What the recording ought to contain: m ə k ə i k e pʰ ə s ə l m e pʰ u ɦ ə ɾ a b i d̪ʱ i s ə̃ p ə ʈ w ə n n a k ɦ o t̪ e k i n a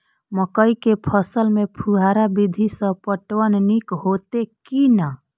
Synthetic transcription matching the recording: m ə k ə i k e pʰ ə s ə l m e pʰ u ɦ a ɾ a b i d̪ʱ i s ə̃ p ə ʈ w ə n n i k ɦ o t̪ e k i n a